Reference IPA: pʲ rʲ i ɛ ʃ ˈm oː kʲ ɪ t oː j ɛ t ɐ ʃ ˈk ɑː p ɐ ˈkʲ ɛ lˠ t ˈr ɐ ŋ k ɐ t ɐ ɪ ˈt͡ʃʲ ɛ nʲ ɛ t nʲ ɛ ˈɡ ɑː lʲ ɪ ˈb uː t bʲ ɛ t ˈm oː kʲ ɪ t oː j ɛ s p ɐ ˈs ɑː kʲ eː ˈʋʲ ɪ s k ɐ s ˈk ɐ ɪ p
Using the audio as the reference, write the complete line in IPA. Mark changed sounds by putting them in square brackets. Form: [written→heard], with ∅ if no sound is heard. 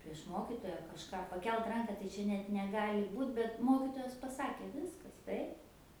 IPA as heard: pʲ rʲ i ɛ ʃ ˈm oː kʲ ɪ t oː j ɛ [t→k] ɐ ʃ ˈk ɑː p ɐ ˈkʲ ɛ lˠ t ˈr ɐ ŋ k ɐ t ɐ ɪ ˈt͡ʃʲ ɛ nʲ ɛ t nʲ ɛ ˈɡ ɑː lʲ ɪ ˈb uː t bʲ ɛ t ˈm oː kʲ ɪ t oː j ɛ s p ɐ ˈs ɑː kʲ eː ˈʋʲ ɪ s k ɐ s [ˈk→ˈt] ɐ ɪ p